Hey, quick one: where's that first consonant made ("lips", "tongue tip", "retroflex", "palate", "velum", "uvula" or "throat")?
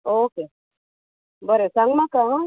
velum